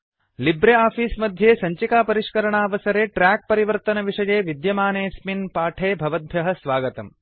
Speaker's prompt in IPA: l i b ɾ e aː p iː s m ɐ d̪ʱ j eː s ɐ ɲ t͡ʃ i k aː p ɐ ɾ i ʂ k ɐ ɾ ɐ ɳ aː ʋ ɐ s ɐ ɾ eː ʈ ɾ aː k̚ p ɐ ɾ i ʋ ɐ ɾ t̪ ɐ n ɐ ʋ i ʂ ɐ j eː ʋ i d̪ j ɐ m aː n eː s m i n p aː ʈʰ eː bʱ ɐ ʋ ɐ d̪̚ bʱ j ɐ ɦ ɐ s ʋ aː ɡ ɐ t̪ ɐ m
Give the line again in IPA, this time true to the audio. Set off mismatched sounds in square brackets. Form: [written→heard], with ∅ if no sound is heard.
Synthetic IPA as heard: l i b ɾ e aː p iː s m ɐ d̪ʱ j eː s ɐ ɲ t͡ʃ i k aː p ɐ ɾ i ʂ k ɐ ɾ ɐ ɳ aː ʋ ɐ s ɐ ɾ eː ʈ ɾ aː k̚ p ɐ ɾ i ʋ ɐ ɾ t̪ ɐ n ɐ ʋ i ʂ ɐ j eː ʋ i d̪ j ɐ m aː n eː s m i n p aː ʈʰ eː bʱ ɐ ʋ ɐ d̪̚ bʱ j ɐ ɦ ɐ s ʋ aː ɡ ɐ t̪ ɐ m